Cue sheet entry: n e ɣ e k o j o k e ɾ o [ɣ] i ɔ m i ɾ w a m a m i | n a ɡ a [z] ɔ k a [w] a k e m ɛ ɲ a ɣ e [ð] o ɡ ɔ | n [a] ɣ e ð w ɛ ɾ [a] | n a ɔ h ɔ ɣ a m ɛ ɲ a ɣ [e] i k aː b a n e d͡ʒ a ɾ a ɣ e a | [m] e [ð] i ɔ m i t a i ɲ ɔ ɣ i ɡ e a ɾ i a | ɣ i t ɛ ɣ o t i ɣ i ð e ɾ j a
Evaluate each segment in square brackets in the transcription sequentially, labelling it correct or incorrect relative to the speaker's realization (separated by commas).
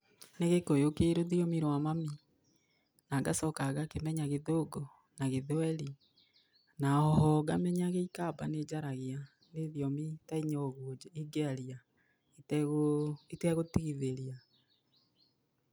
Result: incorrect, incorrect, incorrect, correct, correct, incorrect, correct, incorrect, correct